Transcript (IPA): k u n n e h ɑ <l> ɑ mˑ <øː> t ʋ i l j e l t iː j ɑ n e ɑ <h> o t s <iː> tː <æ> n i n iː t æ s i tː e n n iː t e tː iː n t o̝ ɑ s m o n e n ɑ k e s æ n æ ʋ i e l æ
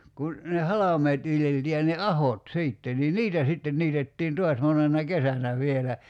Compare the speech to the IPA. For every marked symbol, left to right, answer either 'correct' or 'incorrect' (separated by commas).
correct, incorrect, correct, correct, incorrect